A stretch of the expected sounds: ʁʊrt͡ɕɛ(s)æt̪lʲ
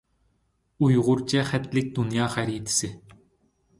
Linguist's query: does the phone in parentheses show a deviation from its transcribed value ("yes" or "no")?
yes